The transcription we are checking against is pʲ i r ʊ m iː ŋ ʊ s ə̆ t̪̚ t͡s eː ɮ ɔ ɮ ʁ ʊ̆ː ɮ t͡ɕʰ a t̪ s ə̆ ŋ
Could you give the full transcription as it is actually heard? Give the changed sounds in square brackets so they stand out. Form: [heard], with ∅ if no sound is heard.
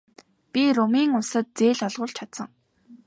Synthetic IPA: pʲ i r ʊ m iː ŋ ʊ s ə̆ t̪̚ t͡s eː ɮ ɔ ɮ ʁ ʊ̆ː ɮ t͡ɕʰ a t̪ s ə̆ ŋ